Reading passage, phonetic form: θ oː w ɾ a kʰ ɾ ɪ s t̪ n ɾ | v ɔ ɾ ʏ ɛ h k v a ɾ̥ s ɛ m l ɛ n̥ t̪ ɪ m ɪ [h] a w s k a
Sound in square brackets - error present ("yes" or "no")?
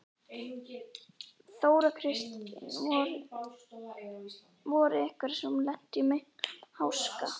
no